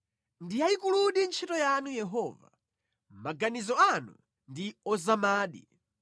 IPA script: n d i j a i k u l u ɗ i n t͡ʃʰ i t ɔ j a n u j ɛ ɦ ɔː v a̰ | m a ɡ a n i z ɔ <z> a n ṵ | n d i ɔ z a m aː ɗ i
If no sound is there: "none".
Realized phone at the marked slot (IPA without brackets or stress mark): none